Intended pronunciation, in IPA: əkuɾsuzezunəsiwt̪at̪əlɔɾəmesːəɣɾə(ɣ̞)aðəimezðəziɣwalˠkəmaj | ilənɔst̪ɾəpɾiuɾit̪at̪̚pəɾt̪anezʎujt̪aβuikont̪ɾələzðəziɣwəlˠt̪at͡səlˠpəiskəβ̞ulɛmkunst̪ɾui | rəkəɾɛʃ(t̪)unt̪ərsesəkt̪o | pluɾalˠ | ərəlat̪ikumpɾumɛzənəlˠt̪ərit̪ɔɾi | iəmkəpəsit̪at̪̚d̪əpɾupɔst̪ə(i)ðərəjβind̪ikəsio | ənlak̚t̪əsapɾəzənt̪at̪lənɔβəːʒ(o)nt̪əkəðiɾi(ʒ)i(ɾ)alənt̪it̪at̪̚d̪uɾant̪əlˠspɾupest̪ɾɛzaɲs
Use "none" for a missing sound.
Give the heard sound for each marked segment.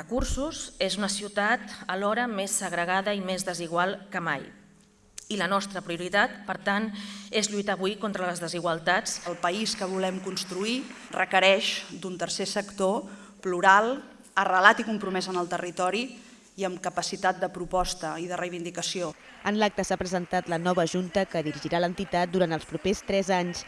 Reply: ɣ̞, d̪, i, u, ʒ, ɾ

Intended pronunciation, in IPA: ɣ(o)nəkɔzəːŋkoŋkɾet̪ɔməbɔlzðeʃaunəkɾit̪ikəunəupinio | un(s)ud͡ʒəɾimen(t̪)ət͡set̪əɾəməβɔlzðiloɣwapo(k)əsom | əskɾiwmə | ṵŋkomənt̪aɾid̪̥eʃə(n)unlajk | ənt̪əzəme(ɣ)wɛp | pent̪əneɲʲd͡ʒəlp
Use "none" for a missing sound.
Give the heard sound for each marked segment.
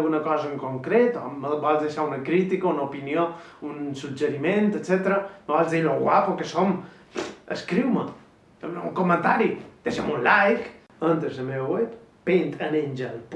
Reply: u, s, t̪, k, m, w

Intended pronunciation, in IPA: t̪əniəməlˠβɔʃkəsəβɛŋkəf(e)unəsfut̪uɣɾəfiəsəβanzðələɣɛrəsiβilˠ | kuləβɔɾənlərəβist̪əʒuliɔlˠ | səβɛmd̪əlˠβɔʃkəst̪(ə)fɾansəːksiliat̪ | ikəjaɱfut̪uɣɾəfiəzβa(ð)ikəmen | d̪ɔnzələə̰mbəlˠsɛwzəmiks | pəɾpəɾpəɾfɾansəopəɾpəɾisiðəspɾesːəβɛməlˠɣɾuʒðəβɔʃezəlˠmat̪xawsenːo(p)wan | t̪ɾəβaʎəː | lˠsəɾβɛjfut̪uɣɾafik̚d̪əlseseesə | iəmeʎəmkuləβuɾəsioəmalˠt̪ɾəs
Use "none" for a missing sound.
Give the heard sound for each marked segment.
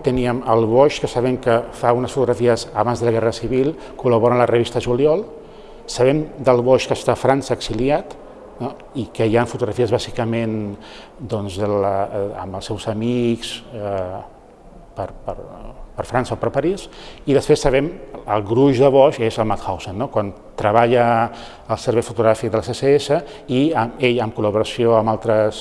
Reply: a, a, z, k

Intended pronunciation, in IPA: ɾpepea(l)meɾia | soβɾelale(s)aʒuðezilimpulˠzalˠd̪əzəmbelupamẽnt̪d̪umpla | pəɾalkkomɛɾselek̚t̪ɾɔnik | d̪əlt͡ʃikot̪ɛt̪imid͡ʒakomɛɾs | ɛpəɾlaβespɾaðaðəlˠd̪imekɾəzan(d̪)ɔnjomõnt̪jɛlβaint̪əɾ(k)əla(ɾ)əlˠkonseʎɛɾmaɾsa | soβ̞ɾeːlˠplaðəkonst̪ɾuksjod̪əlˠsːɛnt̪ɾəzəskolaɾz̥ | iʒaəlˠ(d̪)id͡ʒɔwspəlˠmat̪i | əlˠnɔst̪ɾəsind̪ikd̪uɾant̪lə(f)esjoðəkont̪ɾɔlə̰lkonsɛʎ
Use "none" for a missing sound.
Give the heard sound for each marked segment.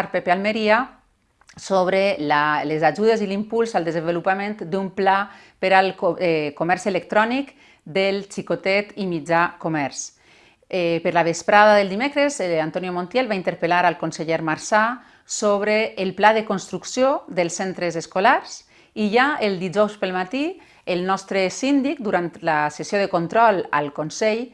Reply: l, z, t̪, p, ɾ, d̪, s

